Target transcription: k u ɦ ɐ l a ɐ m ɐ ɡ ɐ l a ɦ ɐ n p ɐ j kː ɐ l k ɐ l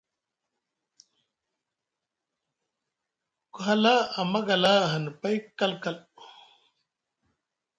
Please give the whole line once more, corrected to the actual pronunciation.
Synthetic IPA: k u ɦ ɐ l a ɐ m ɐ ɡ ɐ l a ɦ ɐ n p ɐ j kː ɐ l k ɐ l